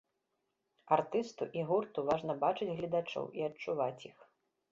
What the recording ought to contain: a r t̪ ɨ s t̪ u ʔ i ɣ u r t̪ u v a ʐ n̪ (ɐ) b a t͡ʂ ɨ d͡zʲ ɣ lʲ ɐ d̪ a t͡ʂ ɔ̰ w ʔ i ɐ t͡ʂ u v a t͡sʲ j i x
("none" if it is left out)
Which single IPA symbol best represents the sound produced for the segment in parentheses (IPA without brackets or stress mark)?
ɐ